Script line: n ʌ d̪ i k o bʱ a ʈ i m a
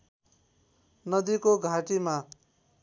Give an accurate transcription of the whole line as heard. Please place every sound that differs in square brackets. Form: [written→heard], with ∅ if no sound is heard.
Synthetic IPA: n ʌ d̪ i k o [bʱ→ɡʱ] a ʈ i m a